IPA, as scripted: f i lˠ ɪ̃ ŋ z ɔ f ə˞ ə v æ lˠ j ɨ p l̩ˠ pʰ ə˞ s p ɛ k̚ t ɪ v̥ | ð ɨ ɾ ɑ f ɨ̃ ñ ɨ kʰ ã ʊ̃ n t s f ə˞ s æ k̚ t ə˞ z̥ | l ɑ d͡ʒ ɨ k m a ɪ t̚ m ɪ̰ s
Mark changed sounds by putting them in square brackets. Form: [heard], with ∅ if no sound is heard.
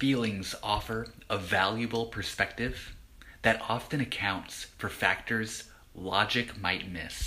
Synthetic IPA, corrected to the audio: f i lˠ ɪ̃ ŋ z ɔ f ə˞ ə v æ lˠ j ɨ [b] l̩ˠ pʰ ə˞ s p ɛ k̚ t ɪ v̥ | ð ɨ ɾ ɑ f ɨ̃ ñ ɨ kʰ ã ʊ̃ n t s f ə˞ [f] æ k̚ t ə˞ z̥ | l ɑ d͡ʒ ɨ k m a ɪ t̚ m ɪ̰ s